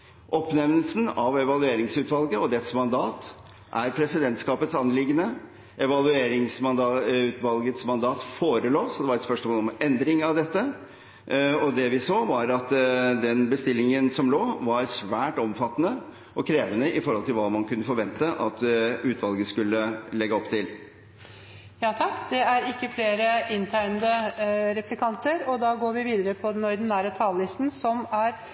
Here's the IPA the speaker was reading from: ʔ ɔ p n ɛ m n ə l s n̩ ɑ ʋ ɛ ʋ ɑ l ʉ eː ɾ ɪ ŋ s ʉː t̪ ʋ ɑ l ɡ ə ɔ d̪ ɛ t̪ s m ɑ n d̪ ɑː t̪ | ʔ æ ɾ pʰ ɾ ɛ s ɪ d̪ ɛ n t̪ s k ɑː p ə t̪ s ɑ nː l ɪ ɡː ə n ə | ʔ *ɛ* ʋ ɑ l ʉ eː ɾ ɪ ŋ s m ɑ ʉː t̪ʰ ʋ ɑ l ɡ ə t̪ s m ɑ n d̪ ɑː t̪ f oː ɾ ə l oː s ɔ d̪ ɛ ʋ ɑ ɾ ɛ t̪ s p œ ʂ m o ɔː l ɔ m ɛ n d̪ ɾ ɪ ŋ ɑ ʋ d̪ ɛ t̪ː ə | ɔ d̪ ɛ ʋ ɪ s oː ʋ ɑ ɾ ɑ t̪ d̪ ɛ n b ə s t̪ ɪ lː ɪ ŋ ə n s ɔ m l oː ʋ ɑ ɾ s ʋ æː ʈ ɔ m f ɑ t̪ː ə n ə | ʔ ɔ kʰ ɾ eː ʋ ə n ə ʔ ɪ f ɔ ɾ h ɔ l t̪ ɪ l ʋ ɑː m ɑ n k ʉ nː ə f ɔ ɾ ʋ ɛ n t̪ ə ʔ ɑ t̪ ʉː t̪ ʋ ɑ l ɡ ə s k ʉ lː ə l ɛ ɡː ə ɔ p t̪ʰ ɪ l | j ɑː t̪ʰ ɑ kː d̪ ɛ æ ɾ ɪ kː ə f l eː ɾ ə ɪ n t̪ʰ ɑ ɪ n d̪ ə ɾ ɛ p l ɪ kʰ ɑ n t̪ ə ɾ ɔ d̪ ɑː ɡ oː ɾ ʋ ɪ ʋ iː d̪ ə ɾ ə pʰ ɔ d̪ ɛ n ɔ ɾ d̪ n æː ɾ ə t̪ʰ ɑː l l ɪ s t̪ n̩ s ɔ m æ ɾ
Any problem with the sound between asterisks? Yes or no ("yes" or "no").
no